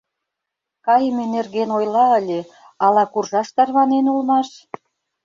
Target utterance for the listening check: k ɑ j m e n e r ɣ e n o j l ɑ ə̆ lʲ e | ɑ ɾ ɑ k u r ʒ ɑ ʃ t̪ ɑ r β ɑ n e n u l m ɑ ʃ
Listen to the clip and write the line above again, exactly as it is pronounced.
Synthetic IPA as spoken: k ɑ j m e n e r ɣ e n o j l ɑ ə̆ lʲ e | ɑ l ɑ k u r ʒ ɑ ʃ t̪ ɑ r β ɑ n e n u l m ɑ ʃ